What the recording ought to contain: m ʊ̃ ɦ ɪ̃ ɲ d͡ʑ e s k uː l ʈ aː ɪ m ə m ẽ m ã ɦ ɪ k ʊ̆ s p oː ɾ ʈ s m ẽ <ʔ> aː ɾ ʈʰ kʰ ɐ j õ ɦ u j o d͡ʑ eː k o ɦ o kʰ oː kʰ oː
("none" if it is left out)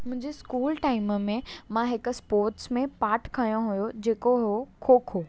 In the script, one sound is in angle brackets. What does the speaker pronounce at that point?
p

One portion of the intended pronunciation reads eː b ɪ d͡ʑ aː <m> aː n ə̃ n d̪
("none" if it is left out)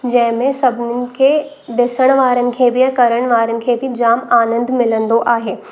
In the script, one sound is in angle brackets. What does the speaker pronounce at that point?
m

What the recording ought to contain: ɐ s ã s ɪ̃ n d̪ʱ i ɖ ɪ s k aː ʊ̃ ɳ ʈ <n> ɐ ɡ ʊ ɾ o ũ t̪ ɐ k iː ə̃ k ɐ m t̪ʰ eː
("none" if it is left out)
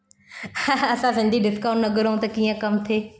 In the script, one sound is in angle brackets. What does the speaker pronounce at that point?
n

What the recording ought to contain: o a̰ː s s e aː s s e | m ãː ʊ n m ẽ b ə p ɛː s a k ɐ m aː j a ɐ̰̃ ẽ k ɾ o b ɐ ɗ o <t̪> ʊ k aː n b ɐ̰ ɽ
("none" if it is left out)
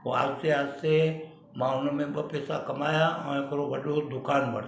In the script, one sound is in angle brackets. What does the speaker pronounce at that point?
d̪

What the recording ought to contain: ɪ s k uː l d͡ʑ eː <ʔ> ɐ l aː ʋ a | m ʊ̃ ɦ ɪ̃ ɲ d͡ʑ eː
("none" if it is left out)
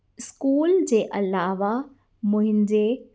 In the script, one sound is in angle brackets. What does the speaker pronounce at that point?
ʔ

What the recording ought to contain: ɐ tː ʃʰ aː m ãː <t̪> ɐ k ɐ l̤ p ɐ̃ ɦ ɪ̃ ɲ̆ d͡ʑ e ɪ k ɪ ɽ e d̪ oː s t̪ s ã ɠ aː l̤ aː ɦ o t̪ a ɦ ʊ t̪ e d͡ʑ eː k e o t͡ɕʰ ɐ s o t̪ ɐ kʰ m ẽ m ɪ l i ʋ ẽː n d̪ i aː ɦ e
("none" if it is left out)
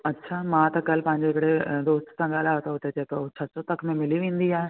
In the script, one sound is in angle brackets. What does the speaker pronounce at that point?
t̪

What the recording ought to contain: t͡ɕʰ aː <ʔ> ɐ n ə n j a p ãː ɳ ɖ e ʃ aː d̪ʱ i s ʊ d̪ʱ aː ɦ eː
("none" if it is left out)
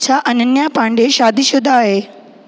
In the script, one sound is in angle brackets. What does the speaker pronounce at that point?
ʔ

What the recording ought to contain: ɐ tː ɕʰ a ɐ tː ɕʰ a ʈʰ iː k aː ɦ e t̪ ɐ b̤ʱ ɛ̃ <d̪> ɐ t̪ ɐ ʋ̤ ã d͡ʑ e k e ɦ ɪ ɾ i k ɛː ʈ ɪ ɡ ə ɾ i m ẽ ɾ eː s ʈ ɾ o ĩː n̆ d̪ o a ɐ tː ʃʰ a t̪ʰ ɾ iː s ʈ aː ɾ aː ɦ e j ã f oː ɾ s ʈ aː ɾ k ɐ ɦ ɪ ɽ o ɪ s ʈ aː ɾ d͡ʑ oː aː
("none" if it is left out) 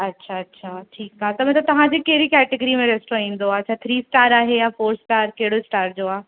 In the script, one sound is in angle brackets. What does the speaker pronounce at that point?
t̪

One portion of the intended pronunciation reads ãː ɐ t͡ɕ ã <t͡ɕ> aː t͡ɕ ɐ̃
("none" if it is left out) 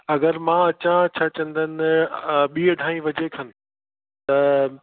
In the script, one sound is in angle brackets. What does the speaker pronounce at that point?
t͡ɕʰ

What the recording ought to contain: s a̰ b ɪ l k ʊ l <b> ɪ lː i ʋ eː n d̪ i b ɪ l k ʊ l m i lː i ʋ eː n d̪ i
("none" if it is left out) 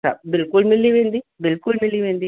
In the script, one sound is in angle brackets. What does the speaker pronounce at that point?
m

